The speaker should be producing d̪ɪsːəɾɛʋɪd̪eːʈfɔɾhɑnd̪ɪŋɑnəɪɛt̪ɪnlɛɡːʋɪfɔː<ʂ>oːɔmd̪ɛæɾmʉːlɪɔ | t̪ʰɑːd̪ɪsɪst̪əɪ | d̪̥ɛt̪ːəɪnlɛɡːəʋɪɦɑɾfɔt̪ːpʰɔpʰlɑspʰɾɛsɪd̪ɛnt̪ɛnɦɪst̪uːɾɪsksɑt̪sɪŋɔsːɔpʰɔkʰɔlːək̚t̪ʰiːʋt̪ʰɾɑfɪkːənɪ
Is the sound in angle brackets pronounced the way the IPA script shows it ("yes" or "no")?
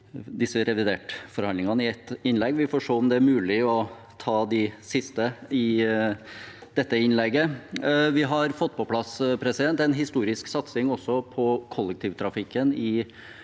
yes